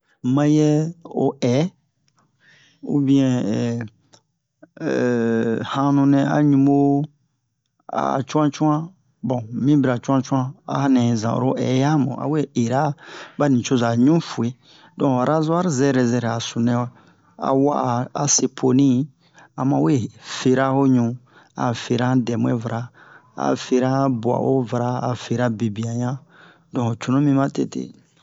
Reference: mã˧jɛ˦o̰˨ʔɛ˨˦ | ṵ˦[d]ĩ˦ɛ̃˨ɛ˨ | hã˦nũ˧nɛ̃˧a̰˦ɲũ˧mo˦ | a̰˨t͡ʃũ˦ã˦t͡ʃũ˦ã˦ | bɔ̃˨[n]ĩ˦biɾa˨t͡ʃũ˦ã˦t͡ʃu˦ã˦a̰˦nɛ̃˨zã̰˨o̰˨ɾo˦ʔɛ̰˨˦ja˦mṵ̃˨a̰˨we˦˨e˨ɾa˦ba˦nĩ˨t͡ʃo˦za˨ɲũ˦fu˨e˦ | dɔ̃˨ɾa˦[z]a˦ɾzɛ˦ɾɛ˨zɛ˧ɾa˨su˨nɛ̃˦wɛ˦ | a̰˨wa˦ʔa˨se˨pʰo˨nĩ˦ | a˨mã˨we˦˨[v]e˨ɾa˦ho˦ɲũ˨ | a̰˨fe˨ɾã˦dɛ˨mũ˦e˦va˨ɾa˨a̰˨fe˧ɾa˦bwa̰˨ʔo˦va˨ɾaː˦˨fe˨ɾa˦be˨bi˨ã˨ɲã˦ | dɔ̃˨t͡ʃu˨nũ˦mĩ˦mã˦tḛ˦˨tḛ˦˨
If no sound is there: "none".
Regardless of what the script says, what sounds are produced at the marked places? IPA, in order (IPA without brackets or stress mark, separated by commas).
b, m, z, f